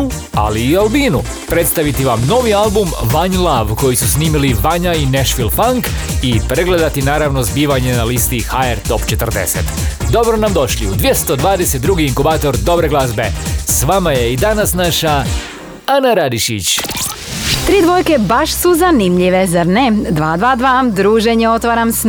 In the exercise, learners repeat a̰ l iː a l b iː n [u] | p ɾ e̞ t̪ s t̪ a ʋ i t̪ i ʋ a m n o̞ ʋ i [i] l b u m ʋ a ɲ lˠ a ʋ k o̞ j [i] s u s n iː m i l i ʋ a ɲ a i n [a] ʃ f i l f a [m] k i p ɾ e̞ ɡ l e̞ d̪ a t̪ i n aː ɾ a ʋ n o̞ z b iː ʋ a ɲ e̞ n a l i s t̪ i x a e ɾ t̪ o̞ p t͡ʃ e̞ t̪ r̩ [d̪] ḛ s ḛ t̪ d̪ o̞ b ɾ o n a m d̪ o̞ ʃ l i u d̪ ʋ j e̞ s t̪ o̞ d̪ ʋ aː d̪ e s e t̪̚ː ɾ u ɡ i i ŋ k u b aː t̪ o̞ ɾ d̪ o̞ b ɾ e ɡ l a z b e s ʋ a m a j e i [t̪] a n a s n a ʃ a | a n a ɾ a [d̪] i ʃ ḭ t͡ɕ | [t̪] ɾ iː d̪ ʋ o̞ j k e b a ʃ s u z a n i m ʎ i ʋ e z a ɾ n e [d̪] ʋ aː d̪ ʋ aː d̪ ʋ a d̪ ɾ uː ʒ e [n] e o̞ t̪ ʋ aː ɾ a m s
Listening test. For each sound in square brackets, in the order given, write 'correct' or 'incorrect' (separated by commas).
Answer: correct, incorrect, correct, incorrect, incorrect, correct, incorrect, correct, correct, correct, incorrect